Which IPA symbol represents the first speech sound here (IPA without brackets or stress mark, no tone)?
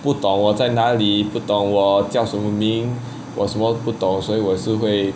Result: p